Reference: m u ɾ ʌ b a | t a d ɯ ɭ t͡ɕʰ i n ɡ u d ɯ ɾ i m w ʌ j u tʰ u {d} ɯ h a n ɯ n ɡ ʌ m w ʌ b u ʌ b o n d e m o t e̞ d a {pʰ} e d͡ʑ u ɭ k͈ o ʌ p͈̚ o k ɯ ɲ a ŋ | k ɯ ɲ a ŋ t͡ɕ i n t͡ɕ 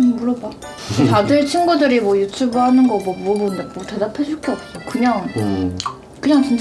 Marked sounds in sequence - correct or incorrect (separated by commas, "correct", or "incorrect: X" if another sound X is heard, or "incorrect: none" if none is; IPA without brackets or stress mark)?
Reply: incorrect: b, correct